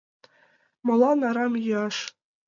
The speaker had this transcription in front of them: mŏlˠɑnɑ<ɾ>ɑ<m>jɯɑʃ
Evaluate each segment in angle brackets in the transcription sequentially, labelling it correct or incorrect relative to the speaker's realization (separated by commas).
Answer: correct, correct